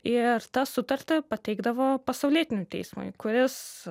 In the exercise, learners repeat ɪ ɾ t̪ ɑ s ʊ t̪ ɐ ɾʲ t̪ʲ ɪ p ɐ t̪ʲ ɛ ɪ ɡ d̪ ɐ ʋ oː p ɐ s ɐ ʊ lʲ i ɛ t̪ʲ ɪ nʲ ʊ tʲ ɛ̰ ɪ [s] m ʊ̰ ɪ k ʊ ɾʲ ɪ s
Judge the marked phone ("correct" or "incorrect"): correct